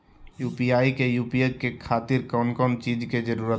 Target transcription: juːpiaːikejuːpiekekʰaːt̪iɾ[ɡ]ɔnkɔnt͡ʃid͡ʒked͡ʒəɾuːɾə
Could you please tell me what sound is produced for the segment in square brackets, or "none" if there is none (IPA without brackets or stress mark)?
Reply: k